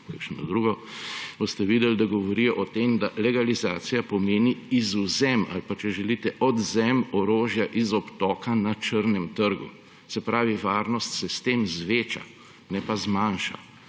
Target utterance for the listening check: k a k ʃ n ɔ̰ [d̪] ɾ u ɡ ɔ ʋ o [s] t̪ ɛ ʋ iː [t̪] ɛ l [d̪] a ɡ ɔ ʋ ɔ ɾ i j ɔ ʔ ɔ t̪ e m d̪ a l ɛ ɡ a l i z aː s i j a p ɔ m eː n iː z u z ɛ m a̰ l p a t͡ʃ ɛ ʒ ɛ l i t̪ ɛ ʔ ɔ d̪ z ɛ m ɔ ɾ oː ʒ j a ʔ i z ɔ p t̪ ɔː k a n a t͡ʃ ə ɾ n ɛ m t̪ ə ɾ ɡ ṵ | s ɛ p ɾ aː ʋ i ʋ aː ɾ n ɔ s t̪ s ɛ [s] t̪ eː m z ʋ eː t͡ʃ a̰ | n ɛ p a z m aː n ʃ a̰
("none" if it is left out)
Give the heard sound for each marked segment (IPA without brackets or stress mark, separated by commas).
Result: d̪, s, d̪, d̪, s